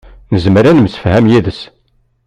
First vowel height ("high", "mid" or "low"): mid